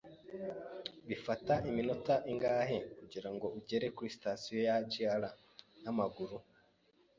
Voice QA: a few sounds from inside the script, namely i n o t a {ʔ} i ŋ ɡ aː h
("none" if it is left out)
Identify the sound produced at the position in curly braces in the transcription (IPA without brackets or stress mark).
ʔ